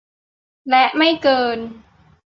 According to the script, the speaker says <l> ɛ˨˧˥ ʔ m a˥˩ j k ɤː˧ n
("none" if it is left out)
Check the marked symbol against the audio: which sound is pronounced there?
l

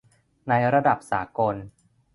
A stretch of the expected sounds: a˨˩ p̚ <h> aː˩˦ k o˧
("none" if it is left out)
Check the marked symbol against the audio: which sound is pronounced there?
s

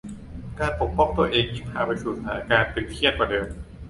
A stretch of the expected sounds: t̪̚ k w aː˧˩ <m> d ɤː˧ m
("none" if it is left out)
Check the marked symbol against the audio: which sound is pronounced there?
none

